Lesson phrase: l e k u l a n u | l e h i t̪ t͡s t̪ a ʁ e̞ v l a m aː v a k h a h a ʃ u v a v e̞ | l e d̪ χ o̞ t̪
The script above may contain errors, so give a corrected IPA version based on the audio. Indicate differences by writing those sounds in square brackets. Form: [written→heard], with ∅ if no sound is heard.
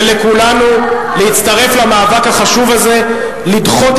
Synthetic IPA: l e k u l a n u | l e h i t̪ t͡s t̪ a ʁ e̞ [v→f] l a m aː v a k h a [h→χ] a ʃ u v a [v→z] e̞ | l [e→i] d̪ χ o̞ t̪